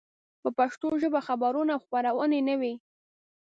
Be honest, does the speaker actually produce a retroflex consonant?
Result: no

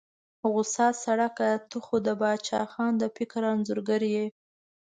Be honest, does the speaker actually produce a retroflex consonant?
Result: yes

